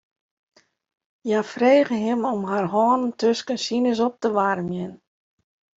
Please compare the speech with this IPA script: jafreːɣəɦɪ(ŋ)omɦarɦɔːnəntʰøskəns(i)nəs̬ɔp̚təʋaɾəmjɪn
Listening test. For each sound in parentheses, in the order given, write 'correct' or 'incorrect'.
incorrect: m, correct

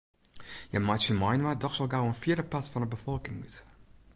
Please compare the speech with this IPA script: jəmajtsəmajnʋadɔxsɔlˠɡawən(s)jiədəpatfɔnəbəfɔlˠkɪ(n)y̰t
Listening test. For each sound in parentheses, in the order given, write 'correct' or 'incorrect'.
incorrect: f, incorrect: ŋ

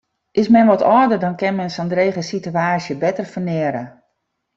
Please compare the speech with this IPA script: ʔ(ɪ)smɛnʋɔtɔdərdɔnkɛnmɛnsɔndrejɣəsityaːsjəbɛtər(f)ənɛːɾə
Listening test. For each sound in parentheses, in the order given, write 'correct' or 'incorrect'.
correct, correct

